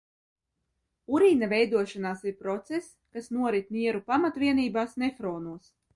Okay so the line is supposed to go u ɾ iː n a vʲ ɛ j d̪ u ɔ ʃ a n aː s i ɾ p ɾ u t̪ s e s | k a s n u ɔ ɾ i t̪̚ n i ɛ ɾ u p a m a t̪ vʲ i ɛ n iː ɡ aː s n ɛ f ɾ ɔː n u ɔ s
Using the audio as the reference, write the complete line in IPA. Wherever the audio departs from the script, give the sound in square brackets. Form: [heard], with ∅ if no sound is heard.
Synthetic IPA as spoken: u ɾ iː n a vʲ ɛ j d̪ u ɔ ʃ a n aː s i ɾ p ɾ [ɔ] t̪ s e s | k a s n u ɔ ɾ i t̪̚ n i ɛ ɾ u p a m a t̪ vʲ i ɛ n iː [b] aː s n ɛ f ɾ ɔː n u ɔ s